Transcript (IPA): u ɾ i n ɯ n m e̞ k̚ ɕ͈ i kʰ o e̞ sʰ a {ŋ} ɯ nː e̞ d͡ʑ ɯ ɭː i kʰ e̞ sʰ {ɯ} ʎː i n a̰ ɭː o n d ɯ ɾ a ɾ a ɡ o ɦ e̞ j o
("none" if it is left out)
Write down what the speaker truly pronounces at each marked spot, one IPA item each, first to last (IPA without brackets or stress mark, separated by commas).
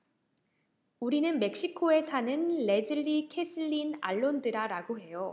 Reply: n, ɯ